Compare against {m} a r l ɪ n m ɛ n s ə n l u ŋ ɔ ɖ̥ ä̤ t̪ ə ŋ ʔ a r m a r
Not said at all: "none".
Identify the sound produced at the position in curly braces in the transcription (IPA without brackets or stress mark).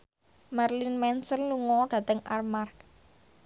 m